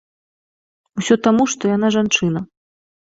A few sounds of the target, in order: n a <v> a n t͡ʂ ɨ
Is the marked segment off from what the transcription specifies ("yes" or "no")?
yes